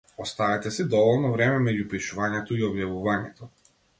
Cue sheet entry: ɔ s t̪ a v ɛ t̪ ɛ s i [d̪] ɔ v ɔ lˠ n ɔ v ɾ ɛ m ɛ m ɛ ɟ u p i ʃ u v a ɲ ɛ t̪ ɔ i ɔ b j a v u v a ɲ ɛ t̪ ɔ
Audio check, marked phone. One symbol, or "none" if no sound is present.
d̪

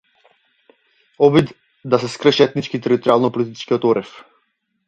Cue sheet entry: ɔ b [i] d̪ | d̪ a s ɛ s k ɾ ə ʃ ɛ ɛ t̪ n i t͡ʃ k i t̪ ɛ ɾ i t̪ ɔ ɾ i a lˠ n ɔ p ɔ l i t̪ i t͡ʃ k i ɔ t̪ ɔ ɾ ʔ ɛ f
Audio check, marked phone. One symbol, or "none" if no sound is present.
i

